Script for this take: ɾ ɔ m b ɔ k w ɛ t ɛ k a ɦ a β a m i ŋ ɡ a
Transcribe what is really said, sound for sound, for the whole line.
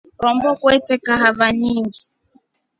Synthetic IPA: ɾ ɔ m b ɔ k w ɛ t ɛ k a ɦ a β a ɲ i ŋ ɡ i